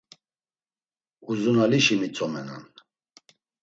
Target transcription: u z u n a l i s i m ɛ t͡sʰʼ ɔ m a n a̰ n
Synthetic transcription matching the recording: u z u n a l i ʃ i m i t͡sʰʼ ɔ m ɛ n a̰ n